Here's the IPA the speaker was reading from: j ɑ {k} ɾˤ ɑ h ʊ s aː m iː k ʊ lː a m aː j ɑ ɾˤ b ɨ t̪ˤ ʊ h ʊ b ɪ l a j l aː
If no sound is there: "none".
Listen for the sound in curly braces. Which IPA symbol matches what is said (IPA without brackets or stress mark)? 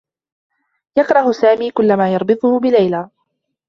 k